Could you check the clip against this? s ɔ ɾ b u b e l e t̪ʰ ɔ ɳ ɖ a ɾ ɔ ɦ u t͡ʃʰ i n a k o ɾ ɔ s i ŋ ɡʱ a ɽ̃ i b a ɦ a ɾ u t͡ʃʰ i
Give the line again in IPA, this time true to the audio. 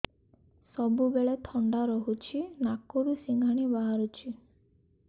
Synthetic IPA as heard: s ɔ b u b e ɭ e t̪ʰ ɔ ɳ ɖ a ɾ ɔ ɦ u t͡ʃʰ i n a k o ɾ u s i ŋ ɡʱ a ɽ̃ i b a ɦ a ɾ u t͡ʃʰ i